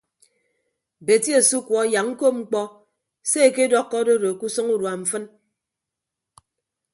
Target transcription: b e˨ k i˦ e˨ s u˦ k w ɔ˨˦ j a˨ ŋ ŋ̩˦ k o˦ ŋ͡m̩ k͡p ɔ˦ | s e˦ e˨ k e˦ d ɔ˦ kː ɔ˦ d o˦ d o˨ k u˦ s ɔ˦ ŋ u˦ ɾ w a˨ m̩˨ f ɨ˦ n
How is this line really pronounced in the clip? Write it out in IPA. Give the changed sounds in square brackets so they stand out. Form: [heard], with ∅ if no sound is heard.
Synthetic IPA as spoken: b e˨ [t] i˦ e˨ s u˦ k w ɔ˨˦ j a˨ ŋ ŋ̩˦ k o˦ ŋ͡m̩ k͡p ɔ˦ | s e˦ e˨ k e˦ d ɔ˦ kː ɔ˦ d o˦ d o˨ k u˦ s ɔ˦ ŋ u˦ ɾ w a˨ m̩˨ f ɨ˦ n